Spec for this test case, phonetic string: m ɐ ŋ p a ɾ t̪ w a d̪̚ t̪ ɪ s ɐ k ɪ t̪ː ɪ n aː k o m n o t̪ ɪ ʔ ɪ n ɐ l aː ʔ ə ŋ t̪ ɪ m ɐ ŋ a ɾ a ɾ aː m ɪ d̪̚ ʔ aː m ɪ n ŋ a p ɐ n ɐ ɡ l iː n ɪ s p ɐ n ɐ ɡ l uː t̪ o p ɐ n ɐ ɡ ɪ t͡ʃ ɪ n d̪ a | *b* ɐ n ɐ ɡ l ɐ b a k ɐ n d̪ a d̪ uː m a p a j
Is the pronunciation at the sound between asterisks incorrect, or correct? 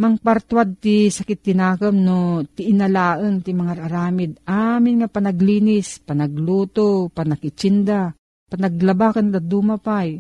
incorrect